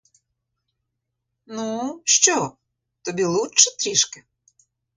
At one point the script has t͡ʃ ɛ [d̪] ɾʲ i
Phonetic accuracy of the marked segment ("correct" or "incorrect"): incorrect